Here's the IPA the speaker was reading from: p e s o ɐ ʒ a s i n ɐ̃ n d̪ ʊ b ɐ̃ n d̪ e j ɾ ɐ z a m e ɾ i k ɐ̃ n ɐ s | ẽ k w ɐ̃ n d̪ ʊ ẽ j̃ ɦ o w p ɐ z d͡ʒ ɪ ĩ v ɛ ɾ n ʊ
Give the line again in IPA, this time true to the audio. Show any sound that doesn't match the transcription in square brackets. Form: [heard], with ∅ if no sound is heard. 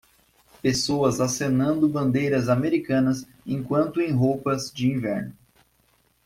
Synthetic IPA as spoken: p e s o ɐ [z] a s [e] n ɐ̃ n d̪ ʊ b ɐ̃ n d̪ e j ɾ ɐ z a m e ɾ i k ɐ̃ n ɐ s | ẽ k w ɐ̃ n [t̪] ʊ ẽ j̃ ɦ o w p ɐ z d͡ʒ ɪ ĩ v ɛ ɾ n ʊ